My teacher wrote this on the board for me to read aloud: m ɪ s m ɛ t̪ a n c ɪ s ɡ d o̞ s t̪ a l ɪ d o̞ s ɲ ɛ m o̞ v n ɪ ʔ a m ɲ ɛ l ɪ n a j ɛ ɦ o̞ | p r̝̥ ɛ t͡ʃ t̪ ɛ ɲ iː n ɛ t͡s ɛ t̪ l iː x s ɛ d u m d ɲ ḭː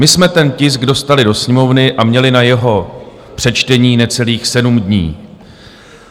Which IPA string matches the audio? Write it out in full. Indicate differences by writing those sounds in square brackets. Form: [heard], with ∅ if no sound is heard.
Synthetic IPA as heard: m ɪ s m ɛ t̪ [ɛ] n c ɪ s ɡ d o̞ s t̪ a l ɪ d o̞ s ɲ ɛ m o̞ v n ɪ ʔ a m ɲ ɛ l ɪ n a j ɛ ɦ o̞ | p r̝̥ ɛ t͡ʃ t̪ ɛ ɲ iː n ɛ t͡s ɛ [∅] l iː x s ɛ d u m d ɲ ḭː